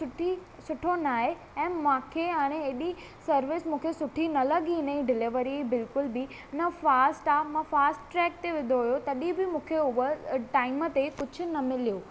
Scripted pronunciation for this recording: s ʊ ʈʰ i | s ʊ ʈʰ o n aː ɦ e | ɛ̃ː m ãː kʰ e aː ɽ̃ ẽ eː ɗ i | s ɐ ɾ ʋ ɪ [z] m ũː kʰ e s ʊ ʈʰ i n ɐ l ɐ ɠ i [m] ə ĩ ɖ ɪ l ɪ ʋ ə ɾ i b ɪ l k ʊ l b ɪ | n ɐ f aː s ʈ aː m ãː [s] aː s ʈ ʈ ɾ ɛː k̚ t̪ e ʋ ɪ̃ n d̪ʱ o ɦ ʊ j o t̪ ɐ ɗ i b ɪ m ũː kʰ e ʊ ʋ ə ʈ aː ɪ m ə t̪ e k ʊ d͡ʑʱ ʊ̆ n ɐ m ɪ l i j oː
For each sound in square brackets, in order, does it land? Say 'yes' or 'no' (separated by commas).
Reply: no, no, no